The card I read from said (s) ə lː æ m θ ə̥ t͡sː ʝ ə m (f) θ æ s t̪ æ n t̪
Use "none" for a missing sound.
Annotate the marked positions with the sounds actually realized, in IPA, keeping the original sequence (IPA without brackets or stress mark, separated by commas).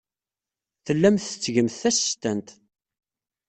θ, θ